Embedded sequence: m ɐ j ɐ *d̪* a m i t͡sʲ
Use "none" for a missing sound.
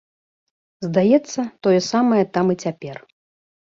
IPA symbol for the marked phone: t̪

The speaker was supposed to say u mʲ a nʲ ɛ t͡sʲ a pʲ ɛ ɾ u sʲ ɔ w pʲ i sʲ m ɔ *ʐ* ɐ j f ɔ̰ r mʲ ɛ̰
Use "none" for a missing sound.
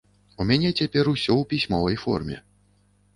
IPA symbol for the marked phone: v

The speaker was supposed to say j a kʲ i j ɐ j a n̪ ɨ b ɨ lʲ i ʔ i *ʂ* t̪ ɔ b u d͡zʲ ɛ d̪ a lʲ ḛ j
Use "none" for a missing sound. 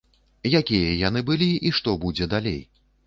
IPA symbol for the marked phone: ʂ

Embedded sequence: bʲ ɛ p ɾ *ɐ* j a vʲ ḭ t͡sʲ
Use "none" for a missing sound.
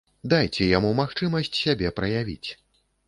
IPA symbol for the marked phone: ɐ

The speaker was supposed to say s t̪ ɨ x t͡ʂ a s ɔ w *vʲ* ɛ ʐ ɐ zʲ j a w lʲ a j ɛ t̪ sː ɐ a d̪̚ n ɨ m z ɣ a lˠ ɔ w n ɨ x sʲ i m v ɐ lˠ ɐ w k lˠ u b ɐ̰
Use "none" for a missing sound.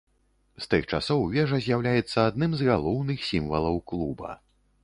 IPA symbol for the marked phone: vʲ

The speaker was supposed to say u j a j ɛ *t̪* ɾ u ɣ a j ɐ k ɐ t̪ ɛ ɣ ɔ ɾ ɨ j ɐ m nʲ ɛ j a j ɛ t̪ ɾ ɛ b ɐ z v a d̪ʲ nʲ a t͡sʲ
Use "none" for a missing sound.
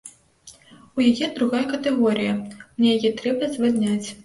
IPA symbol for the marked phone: d̪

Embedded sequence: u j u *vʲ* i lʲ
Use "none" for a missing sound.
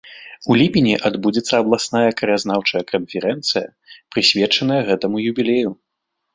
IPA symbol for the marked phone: bʲ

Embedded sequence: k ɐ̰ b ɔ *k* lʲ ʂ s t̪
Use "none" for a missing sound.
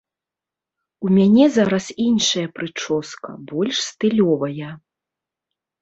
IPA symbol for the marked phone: none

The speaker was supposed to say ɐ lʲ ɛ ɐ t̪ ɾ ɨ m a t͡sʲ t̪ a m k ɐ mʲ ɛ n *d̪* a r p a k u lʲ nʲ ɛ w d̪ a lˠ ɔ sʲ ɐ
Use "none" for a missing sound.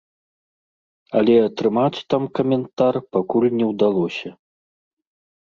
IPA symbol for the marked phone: t̪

